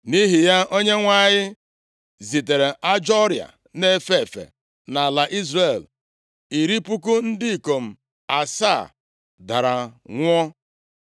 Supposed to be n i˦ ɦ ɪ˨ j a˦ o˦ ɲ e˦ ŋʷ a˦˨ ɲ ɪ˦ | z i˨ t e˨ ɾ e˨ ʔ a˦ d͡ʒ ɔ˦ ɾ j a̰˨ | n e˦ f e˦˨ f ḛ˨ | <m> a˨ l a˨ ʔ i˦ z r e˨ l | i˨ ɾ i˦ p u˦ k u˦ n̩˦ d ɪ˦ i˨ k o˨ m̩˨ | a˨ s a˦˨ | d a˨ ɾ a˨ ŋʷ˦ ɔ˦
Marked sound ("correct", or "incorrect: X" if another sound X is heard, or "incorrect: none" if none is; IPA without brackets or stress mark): incorrect: n